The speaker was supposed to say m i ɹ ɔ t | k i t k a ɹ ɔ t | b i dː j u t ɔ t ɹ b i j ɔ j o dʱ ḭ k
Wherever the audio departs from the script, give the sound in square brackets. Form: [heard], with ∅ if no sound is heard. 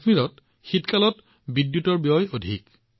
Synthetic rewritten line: m i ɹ ɔ t | [x] i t k a [l] ɔ t | b i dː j u t ɔ [∅] ɹ b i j ɔ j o dʱ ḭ k